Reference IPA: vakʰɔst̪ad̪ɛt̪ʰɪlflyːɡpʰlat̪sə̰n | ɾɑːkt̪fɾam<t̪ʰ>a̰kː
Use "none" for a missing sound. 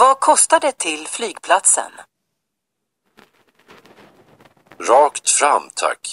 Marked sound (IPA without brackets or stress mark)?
t̪ʰ